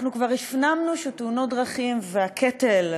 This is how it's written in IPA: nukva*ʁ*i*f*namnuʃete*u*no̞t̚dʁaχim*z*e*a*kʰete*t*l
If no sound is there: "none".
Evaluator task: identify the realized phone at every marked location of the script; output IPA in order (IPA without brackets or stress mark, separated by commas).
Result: ʁ, f, u, v, a, none